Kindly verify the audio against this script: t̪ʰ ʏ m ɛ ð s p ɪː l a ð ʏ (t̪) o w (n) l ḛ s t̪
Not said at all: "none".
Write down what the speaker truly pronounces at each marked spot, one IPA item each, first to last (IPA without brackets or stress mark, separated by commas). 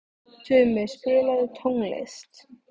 t̪ʰ, ŋ